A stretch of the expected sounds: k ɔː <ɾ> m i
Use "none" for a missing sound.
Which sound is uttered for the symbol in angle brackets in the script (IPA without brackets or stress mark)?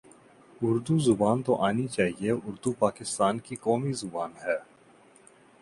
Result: none